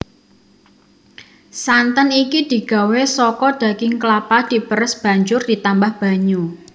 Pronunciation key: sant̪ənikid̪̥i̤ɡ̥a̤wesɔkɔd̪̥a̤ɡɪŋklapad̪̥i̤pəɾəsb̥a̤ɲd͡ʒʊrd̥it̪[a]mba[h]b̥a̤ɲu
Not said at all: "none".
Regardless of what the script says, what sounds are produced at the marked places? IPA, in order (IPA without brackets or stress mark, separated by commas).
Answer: a, h